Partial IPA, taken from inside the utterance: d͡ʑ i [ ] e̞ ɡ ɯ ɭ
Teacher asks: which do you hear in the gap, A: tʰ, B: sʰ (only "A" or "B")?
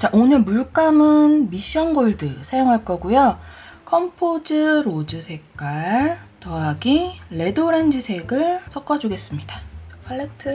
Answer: B